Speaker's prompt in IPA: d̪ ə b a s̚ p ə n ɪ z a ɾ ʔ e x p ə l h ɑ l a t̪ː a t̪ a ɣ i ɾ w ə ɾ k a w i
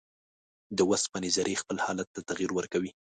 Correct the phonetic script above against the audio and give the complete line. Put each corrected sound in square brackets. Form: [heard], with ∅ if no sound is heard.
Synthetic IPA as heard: d̪ ə [w] a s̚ p ə n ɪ z a ɾ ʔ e x p ə l h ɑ l a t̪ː a t̪ a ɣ i ɾ w ə ɾ k a w i

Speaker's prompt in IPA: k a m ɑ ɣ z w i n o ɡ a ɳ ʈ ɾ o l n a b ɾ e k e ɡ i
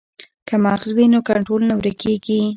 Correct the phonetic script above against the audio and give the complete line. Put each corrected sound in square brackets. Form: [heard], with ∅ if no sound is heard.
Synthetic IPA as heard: k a m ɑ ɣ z w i n o [k] a ɳ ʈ ɾ o l n a [w] ɾ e k e ɡ i

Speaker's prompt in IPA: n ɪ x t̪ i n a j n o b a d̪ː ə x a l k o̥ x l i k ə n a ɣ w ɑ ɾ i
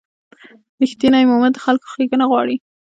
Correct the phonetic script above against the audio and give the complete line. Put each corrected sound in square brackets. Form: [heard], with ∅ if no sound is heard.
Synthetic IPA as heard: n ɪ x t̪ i n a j [m] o [m] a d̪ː ə x a l k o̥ x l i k ə n a ɣ w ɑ [ɽ] i

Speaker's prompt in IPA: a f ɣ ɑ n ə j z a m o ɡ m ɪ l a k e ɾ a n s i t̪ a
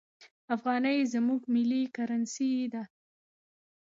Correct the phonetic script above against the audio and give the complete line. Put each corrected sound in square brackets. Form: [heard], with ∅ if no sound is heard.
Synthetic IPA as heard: a f ɣ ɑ n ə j z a m [u] ɡ m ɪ l [i] k [a] ɾ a n s i [d̪] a

